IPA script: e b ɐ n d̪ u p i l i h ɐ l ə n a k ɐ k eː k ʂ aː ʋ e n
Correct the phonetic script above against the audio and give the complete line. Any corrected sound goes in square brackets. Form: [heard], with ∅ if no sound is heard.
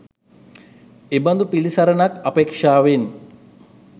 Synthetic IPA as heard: e b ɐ n d̪ u p i l i [s] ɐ [ɾ] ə n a k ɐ [p] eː k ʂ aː ʋ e n

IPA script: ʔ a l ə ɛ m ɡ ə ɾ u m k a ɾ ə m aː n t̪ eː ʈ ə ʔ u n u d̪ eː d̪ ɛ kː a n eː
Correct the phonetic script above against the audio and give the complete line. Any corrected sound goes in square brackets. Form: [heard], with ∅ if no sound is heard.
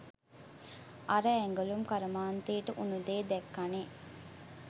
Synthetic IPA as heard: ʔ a [ɾ] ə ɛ [ŋ] ɡ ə [l] u m k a ɾ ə m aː n t̪ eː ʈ ə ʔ u n u d̪ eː d̪ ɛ kː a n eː

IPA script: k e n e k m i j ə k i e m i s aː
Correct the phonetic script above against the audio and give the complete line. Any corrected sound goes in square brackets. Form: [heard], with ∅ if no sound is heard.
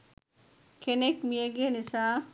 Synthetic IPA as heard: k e n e k m i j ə [ɡ] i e [n] i s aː

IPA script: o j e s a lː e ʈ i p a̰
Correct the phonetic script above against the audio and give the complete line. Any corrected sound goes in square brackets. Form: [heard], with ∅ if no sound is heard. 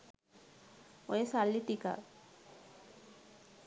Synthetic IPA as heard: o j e s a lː [i] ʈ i [k] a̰

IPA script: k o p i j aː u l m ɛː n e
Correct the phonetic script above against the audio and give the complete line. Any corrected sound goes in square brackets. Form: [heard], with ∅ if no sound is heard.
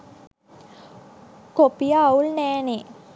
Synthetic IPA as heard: k o p i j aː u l [n] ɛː n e

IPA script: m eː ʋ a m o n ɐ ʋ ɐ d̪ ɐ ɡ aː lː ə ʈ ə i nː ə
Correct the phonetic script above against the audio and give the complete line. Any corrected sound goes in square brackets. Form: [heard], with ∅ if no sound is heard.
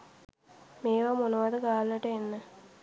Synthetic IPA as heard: m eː ʋ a m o n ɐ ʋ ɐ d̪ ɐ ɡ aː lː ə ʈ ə [e] nː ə

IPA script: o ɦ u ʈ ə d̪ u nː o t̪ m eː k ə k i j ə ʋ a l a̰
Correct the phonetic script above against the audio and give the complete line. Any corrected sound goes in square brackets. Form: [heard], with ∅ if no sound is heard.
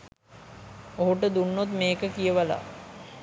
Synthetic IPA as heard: o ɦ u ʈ ə d̪ u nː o t̪ m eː k ə k i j ə ʋ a l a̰

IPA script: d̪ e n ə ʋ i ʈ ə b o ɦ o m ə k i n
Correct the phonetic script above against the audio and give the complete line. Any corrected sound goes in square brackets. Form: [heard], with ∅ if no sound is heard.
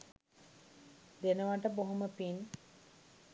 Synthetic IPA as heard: d̪ e n ə ʋ [a] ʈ ə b o ɦ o m ə [p] i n

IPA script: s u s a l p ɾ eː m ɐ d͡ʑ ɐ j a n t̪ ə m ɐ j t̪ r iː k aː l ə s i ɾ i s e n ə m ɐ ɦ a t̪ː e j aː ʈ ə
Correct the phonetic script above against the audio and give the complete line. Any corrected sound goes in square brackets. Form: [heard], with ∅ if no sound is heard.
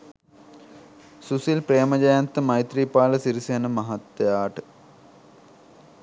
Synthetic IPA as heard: s u s [i] l p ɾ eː m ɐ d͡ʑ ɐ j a n t̪ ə m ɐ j t̪ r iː [p] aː l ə s i ɾ i s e n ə m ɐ ɦ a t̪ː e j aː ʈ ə

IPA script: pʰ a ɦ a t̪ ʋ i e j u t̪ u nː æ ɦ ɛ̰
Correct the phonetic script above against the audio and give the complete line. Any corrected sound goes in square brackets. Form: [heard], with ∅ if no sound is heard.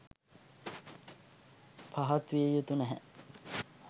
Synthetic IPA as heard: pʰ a ɦ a t̪ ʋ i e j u t̪ u [n] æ ɦ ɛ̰

